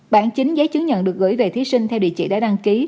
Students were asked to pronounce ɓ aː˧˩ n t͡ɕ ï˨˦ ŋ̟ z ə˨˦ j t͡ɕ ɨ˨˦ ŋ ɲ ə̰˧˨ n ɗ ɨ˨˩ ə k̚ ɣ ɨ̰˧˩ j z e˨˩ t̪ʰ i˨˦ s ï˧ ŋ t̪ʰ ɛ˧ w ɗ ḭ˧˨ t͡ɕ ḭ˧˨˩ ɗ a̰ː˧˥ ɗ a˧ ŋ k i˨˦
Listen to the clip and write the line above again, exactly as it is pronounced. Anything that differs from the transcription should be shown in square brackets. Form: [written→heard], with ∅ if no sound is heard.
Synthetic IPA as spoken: ɓ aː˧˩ n t͡ɕ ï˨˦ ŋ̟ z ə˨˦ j t͡ɕ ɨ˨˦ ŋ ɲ ə̰˧˨ n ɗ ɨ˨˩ ə k̚ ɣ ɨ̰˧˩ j [z→v] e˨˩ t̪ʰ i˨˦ s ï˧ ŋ t̪ʰ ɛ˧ w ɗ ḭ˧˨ t͡ɕ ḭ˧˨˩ ɗ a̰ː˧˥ ɗ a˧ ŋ k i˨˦